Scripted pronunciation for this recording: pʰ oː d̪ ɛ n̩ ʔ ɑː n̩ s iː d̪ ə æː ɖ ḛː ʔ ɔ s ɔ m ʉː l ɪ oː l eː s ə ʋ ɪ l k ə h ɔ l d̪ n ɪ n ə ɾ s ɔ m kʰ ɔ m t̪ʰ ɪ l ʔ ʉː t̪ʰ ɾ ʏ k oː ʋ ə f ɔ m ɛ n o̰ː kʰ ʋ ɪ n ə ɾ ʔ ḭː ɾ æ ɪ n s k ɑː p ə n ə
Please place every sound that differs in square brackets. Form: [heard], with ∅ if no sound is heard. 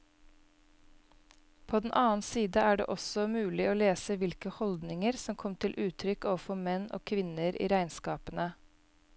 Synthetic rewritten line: pʰ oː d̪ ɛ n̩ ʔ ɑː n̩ s iː d̪ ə æː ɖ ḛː ʔ ɔ s ɔ m ʉː l ɪ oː l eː s ə ʋ ɪ l k ə h ɔ l d̪ n ɪ [ŋ] ə ɾ s ɔ m kʰ ɔ m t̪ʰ ɪ l ʔ ʉː t̪ʰ ɾ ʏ k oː ʋ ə f ɔ m ɛ n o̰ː kʰ ʋ ɪ n ə ɾ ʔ ḭː ɾ æ ɪ n s k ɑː p ə n ə